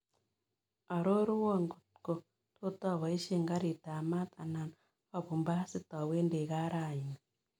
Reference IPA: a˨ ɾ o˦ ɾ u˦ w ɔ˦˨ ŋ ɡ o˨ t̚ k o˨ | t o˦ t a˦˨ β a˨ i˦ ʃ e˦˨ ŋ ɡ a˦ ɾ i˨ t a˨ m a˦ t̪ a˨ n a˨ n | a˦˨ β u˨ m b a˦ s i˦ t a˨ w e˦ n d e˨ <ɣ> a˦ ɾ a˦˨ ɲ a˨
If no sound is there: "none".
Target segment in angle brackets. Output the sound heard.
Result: ɣ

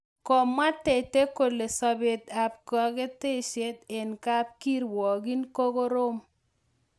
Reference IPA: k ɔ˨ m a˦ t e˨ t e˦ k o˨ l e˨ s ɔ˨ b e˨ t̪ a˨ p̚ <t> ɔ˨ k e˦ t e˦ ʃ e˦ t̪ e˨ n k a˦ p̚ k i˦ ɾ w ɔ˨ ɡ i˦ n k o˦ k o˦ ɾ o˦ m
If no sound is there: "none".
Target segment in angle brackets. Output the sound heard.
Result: k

